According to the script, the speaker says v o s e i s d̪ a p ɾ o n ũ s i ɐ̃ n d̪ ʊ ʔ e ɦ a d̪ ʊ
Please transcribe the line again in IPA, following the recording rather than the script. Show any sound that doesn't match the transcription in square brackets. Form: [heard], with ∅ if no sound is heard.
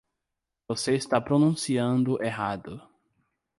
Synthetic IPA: v o s e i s [t̪] a p ɾ o n ũ s i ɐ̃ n d̪ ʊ ʔ e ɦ a d̪ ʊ